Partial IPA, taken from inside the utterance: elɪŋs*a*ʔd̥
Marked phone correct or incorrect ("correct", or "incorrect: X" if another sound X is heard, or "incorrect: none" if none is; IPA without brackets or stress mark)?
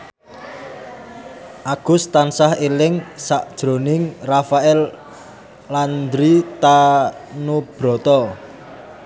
correct